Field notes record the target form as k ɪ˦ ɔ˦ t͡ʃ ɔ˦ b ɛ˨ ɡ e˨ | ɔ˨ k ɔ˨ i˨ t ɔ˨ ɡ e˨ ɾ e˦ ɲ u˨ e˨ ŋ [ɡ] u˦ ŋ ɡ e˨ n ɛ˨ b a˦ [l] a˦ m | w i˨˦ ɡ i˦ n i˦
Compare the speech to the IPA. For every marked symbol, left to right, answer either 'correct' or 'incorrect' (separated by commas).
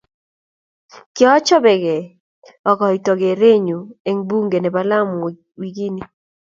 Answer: incorrect, correct